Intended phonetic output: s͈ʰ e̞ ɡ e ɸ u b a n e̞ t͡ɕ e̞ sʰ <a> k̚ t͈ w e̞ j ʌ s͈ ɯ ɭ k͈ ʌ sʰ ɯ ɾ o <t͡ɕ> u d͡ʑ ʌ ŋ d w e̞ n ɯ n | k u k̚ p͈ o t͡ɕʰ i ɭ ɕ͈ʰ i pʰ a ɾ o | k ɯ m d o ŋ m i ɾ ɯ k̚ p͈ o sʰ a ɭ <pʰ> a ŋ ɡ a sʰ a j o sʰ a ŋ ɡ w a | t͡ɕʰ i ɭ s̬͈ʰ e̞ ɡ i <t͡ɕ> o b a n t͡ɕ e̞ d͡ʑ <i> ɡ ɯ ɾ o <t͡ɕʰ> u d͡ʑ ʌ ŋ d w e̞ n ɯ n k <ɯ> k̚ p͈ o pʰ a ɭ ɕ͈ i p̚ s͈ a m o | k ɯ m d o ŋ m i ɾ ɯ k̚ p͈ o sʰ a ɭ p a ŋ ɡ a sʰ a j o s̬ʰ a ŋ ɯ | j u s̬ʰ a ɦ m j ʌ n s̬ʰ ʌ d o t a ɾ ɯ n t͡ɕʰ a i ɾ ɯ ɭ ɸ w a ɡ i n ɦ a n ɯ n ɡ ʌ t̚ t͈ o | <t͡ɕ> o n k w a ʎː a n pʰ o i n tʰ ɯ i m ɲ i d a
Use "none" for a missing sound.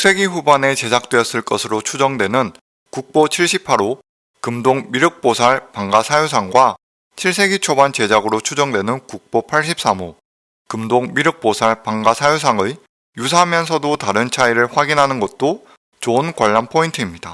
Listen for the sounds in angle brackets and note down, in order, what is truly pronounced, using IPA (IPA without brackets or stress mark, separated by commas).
a, t͡ɕʰ, p, t͡ɕʰ, a, t͡ɕʰ, u, t͡ɕ